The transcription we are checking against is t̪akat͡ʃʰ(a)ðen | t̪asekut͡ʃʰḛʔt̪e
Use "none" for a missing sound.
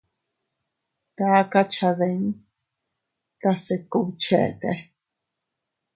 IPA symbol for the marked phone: a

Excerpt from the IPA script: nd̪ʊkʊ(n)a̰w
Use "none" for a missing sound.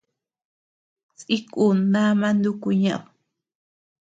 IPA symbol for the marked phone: ɲ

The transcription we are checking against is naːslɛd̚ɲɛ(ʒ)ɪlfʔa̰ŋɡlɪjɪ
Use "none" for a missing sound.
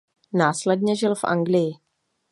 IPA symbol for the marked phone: ʒ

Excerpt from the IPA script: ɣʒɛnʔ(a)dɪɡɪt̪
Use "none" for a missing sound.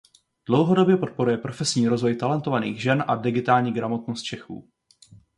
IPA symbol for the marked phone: a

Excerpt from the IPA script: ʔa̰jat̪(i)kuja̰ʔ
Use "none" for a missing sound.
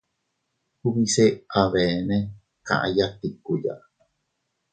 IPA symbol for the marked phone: i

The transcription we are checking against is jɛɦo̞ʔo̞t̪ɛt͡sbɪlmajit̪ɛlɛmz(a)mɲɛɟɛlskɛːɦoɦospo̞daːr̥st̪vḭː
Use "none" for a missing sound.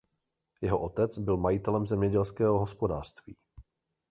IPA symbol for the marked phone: ɛ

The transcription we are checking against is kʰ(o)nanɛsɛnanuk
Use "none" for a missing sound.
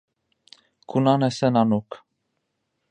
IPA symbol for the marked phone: u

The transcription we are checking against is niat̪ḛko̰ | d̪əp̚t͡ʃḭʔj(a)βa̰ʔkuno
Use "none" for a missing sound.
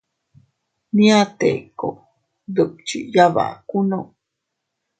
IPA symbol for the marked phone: a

